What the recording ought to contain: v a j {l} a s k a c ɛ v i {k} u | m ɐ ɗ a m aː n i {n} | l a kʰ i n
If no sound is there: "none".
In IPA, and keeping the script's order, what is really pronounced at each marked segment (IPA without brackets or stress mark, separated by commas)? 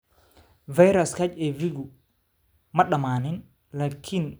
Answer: ɾ, ɡ, n